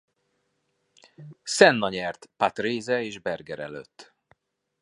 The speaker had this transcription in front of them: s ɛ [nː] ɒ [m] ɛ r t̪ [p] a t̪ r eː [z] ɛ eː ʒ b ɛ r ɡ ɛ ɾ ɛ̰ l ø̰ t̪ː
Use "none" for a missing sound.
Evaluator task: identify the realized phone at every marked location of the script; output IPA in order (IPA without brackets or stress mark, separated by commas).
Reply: nː, ɲ, p, z